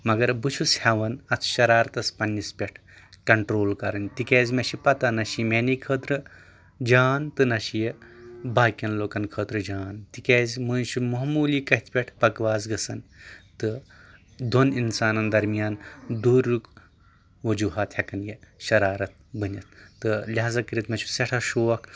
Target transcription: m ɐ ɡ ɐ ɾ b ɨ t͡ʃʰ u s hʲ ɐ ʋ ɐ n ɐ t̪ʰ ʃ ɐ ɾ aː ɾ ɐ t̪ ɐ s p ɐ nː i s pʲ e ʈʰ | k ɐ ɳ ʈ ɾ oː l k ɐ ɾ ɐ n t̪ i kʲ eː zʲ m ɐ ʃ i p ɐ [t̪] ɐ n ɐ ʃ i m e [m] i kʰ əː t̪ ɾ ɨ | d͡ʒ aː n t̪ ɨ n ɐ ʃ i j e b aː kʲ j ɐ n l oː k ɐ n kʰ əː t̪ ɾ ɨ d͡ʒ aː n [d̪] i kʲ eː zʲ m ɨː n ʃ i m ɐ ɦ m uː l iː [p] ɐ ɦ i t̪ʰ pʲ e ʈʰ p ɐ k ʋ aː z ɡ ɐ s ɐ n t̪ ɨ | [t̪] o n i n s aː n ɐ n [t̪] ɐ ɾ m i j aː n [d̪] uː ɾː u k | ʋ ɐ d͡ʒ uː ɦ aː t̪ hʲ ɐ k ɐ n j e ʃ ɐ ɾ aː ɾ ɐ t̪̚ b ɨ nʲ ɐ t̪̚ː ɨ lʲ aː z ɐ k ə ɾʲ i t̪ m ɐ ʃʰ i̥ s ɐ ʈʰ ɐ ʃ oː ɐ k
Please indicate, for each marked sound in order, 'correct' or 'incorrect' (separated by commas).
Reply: correct, incorrect, incorrect, incorrect, incorrect, incorrect, correct